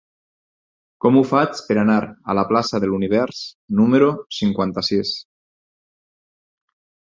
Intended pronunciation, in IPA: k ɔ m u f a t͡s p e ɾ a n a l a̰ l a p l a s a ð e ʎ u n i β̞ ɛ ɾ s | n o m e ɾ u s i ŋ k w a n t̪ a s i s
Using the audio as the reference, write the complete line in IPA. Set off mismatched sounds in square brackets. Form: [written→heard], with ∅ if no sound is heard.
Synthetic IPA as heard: k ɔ m u f a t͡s p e ɾ a n a [l→ɾ] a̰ l a p l a s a ð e [ʎ→l] u n i β̞ ɛ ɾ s | n [o→u] m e ɾ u s i ŋ k w a n t̪ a s i s